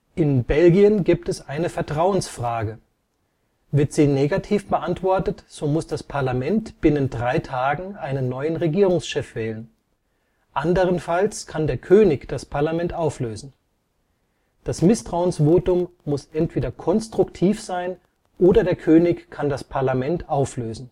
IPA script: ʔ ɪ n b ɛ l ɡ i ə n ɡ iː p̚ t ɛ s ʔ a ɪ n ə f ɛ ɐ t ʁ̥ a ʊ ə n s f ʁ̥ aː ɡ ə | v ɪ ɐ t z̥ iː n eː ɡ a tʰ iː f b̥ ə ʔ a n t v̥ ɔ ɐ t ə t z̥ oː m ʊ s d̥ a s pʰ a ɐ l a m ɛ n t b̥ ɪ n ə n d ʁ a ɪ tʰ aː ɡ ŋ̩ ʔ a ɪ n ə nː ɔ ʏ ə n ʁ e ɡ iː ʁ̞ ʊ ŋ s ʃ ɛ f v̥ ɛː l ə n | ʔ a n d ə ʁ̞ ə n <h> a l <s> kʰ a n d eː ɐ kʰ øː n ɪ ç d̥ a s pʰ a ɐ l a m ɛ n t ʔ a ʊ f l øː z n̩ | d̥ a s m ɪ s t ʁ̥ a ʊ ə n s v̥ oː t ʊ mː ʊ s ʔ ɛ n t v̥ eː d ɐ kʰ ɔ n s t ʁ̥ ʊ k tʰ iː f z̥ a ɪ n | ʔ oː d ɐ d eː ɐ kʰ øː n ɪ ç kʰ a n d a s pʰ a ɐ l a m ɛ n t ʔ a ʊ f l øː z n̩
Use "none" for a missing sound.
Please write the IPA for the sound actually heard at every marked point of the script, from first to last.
f, s

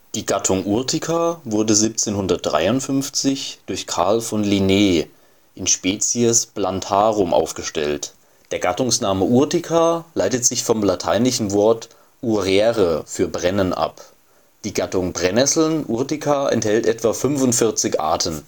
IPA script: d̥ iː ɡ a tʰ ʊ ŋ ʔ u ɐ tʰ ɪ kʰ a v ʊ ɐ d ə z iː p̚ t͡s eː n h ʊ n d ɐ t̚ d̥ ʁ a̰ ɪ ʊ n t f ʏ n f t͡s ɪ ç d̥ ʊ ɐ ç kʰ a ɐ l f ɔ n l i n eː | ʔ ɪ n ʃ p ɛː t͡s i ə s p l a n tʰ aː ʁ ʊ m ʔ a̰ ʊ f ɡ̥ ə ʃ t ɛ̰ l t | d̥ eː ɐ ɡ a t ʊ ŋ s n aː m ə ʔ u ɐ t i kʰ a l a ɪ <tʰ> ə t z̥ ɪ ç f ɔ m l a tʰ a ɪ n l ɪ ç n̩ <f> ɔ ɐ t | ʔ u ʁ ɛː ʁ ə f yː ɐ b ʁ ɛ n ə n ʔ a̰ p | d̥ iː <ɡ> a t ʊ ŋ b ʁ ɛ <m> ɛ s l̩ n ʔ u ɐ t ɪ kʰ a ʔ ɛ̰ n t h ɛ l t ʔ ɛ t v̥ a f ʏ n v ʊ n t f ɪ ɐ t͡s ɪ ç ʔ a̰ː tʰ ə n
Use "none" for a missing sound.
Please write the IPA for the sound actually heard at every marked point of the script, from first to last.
t, v, ɡ, n

